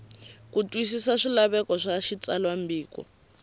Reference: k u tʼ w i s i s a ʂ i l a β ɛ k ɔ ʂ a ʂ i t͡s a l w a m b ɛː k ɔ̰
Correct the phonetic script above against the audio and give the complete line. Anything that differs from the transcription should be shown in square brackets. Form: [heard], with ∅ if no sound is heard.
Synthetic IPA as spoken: k u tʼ w i s i s a ʂ i l a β ɛ k ɔ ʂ a [ʃ] i t͡s a l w a m b [iː] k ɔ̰